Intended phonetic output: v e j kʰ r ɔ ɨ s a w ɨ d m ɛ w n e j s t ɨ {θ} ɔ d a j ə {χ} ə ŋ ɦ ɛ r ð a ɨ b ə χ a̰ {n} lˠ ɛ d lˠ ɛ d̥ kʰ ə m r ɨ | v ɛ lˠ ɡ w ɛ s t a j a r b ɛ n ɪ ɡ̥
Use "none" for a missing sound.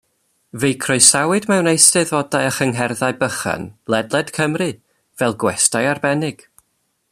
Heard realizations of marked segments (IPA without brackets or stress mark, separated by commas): ð, χ, n